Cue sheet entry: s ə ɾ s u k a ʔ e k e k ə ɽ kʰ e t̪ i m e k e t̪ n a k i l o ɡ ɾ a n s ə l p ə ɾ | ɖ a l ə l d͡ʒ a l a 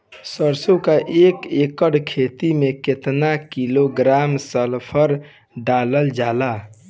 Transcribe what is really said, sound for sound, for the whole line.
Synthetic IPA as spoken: s ə ɾ s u k a ʔ e k e k ə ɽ kʰ e t̪ i m e k e t̪ n a k i l o ɡ ɾ a m s ə l pʰ ə ɾ | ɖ a l ə l d͡ʒ a l a